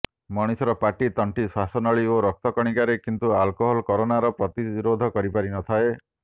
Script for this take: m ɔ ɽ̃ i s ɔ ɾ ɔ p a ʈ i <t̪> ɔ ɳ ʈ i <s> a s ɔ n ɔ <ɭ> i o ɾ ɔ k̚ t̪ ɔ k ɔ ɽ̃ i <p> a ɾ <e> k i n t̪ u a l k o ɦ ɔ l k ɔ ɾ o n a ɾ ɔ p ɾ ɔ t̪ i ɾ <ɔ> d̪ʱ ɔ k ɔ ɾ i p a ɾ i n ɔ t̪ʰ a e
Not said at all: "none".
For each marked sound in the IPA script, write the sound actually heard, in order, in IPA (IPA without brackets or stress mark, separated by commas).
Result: t̪, s, ɭ, k, e, o